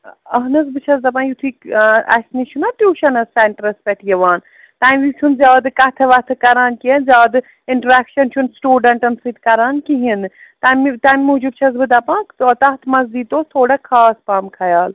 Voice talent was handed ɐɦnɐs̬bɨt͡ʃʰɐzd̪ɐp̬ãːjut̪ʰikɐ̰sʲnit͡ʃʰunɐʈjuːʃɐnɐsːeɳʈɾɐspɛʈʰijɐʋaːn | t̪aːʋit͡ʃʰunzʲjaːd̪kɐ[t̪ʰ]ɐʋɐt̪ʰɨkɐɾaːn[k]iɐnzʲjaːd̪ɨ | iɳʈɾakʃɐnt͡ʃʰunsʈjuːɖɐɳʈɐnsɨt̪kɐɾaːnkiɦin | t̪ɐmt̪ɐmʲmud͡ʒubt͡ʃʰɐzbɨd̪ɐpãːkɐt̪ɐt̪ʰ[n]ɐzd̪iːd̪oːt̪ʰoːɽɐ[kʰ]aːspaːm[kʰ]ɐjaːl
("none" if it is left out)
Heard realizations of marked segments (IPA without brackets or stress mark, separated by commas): t̪ʰ, k, m, kʰ, kʰ